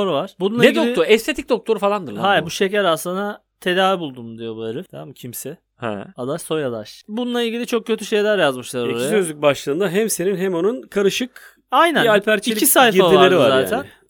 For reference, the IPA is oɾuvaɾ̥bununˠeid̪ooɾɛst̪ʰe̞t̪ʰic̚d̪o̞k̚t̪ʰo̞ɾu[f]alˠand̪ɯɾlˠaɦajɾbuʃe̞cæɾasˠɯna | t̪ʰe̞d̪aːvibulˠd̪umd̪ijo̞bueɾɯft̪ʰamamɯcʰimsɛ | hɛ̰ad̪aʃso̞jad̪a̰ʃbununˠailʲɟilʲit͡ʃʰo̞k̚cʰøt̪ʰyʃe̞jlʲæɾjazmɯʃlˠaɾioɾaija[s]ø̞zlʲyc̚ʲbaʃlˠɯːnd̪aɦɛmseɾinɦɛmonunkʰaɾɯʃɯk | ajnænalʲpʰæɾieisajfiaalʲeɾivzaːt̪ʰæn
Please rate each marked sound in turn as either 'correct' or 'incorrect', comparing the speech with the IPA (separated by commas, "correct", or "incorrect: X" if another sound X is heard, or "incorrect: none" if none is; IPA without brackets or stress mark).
correct, correct